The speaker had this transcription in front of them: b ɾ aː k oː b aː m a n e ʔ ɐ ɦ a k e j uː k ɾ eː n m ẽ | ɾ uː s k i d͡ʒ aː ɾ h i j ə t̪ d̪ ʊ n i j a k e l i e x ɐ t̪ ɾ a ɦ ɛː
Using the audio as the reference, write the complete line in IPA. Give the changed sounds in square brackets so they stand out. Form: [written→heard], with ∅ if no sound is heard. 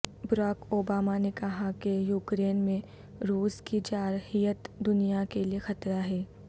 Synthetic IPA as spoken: b ɾ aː k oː b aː m a n e [ʔ→k] ɐ ɦ a k e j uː k ɾ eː n m ẽ | ɾ uː s k i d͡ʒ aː ɾ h i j ə t̪ d̪ ʊ n i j a k e l i e x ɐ t̪ ɾ a ɦ ɛː